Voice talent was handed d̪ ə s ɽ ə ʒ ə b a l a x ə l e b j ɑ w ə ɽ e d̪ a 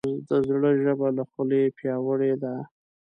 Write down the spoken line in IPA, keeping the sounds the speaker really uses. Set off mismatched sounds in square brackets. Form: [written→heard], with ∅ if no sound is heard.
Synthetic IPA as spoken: d̪ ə [s→z] ɽ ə ʒ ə b a l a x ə l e [b→p] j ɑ w ə ɽ e d̪ a